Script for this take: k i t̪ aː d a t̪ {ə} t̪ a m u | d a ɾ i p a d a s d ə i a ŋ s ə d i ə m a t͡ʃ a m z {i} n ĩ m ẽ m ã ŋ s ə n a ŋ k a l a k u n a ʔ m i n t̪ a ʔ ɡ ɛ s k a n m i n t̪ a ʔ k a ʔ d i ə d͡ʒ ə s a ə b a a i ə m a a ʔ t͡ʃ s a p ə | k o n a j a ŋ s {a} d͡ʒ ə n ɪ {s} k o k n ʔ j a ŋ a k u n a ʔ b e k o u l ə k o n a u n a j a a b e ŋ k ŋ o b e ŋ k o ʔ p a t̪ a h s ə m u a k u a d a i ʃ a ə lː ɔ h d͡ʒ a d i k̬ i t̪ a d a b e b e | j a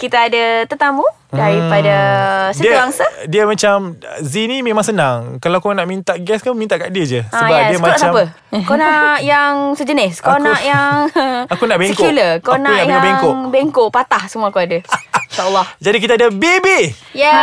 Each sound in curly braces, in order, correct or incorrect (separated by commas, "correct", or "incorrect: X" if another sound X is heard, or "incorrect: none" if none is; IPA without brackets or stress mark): correct, correct, incorrect: ə, correct